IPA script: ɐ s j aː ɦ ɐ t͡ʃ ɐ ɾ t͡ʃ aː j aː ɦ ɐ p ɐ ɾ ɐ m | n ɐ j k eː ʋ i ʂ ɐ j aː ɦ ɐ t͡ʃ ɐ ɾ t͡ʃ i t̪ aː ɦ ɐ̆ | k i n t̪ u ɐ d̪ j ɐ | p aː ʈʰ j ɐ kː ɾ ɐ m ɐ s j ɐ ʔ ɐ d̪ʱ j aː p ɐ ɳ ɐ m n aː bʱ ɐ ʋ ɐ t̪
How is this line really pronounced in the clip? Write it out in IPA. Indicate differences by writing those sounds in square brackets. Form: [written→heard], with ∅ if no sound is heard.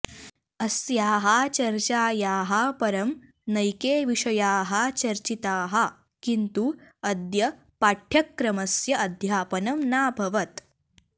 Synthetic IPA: ɐ s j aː ɦ ɐ t͡ʃ ɐ ɾ t͡ʃ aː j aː ɦ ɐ p ɐ ɾ ɐ m | n ɐ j k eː ʋ i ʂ ɐ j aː ɦ ɐ t͡ʃ ɐ ɾ t͡ʃ i t̪ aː ɦ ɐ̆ | k i n t̪ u ɐ d̪ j ɐ | p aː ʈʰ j ɐ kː ɾ ɐ m ɐ s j ɐ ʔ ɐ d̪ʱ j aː p ɐ [ɳ→n] ɐ m n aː bʱ ɐ ʋ ɐ t̪